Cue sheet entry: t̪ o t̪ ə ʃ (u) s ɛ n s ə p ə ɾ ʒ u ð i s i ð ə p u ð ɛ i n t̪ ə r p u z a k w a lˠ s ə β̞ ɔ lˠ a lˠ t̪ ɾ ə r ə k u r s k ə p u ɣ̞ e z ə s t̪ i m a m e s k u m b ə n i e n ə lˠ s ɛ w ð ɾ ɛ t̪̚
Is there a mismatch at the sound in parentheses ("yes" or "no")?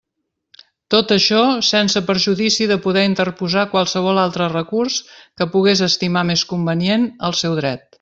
yes